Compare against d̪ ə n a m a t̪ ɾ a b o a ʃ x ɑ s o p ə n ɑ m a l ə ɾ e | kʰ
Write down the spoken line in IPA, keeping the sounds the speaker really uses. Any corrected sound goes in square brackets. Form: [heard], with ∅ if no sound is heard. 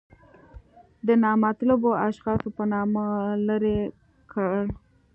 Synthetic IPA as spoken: d̪ ə n [ɑ] m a t̪ [l] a b o a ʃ x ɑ s o p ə n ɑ m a l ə ɾ e | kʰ